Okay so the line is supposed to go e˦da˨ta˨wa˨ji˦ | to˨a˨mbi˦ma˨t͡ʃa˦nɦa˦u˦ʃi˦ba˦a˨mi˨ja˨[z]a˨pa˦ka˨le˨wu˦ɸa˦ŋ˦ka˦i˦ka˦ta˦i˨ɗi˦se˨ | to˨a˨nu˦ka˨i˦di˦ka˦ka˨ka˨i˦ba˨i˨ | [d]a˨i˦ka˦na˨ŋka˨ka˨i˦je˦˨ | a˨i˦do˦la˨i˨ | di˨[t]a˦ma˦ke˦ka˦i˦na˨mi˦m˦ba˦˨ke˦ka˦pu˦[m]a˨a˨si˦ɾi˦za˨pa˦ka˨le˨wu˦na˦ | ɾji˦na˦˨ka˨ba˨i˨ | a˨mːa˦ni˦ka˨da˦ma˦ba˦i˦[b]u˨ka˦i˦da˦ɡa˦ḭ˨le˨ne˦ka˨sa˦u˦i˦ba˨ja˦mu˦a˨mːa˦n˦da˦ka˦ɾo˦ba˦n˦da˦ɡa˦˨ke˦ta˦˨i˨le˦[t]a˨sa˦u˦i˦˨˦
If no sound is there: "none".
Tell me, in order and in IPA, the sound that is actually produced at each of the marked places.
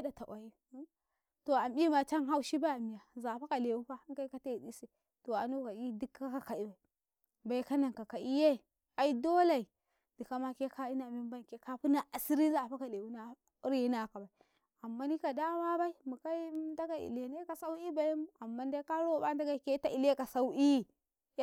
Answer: z, b, k, n, m, k

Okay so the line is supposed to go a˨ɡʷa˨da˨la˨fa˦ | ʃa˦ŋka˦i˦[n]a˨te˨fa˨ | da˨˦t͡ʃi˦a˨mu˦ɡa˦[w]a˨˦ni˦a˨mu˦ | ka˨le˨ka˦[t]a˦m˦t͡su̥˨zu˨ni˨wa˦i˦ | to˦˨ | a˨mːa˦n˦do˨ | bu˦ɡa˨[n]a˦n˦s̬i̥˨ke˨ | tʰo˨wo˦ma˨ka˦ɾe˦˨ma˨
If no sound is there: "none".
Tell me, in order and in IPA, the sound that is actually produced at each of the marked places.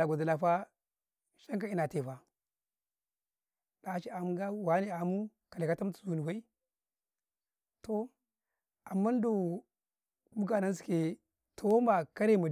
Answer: n, w, t, n

